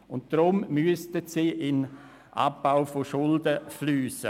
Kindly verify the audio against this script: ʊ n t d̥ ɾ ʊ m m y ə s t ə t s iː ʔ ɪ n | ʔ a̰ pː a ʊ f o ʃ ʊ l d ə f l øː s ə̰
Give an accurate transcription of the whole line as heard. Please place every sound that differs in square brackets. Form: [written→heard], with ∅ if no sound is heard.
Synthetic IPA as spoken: ʊ n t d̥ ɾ ʊ m m y ə s t ə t s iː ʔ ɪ n | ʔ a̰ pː a ʊ f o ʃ ʊ l d ə f l [øː→yː] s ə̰